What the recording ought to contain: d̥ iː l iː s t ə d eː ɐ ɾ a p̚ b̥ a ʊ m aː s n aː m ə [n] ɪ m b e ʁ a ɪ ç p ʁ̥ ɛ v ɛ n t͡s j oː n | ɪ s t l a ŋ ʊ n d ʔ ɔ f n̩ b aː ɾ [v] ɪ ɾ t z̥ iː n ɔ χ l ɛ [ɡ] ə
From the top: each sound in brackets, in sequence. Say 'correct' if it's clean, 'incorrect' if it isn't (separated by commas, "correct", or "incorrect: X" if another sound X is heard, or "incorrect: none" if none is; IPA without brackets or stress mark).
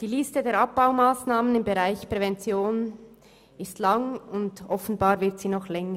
correct, correct, incorrect: ŋ